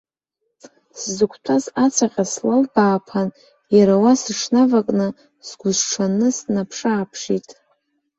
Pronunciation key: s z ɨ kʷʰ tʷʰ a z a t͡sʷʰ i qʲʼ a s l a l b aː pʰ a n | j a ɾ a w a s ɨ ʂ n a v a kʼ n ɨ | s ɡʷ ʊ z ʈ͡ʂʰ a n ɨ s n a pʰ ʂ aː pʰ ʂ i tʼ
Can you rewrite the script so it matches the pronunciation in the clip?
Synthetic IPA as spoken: s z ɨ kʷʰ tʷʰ a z a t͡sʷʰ a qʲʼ a s l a l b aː pʰ a n | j a ɾ a w a s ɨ ʂ n a v a kʼ n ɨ | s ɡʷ ʊ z ʈ͡ʂʰ a n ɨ s n a pʰ ʂ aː pʰ ʂ i tʼ